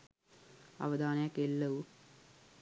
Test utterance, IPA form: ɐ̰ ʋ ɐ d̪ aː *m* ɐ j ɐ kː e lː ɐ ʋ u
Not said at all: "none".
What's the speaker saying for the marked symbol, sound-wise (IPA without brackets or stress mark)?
n